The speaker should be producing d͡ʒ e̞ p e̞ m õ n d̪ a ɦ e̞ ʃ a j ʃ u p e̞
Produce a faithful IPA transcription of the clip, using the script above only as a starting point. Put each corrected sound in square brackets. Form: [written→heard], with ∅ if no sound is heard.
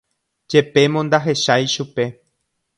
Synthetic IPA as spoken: d͡ʒ e̞ p e̞ m õ n d̪ a ɦ e̞ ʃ a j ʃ u p e̞